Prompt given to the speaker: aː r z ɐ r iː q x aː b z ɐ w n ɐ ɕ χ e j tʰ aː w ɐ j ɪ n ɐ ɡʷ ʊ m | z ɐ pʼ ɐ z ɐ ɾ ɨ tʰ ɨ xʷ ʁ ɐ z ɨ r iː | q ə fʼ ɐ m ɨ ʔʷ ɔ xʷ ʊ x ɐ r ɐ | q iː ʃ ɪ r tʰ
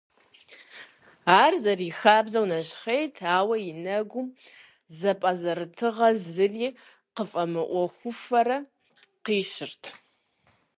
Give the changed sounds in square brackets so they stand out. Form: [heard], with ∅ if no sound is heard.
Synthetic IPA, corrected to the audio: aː r z ɐ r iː [∅] x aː b z ɐ w n ɐ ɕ χ e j tʰ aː w ɐ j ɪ n ɐ ɡʷ ʊ m | z ɐ pʼ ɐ z ɐ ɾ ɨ tʰ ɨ [∅] ʁ ɐ z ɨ r iː | q ə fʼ ɐ m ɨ ʔʷ ɔ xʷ ʊ [f] ɐ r ɐ | q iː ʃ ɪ r tʰ